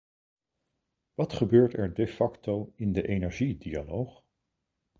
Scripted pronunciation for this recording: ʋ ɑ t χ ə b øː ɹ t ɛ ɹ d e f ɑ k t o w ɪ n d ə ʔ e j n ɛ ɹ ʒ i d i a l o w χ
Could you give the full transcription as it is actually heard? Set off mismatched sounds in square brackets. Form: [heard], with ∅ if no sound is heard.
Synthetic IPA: ʋ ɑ t χ ə b øː ɹ t ɛ ɹ d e f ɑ k t o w ɪ n d ə ʔ e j n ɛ ɹ ʒ i d i a l o w χ